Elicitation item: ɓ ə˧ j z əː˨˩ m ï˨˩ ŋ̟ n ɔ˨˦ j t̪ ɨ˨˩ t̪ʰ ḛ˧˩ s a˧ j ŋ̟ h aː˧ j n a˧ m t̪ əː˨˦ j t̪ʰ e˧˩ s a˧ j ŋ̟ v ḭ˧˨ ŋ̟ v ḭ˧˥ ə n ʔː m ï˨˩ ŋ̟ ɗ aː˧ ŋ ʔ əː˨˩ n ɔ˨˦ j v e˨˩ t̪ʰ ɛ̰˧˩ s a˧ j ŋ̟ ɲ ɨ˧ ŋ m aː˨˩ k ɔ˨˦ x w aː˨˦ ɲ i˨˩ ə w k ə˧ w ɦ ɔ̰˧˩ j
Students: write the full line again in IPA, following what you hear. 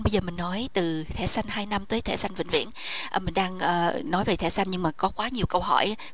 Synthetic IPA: ɓ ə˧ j z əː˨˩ m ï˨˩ ŋ̟ n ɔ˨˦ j t̪ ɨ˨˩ t̪ʰ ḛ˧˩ s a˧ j ŋ̟ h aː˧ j n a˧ m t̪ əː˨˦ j t̪ʰ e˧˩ s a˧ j ŋ̟ v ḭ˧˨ ŋ̟ v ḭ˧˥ ə n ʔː m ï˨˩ ŋ̟ ɗ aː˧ ŋ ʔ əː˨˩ n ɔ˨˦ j v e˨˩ t̪ʰ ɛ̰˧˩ s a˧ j ŋ̟ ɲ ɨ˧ ŋ m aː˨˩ k ɔ˨˦ k w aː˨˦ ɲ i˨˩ ə w k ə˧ w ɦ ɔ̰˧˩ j